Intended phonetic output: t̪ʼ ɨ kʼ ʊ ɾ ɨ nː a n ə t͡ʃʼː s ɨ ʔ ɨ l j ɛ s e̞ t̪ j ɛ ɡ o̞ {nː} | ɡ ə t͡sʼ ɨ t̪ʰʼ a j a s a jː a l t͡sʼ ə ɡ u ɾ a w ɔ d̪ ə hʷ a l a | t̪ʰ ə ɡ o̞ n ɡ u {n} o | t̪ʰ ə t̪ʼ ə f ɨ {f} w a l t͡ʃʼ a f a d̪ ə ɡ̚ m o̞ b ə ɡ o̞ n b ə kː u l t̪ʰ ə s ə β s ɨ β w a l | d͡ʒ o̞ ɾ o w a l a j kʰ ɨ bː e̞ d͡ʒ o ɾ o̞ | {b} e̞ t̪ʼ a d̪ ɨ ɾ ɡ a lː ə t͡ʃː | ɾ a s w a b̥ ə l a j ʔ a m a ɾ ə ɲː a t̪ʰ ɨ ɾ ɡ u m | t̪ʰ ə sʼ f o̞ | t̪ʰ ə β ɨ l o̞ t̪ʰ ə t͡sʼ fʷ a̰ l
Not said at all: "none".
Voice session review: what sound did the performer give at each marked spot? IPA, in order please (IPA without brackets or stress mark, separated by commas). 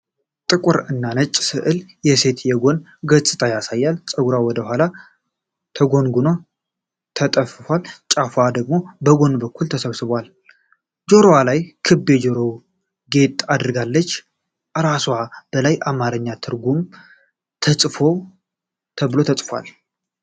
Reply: n, n, f, ɡ